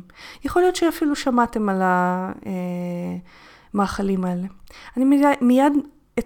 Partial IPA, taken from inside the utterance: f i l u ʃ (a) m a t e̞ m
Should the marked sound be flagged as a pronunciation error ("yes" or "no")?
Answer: no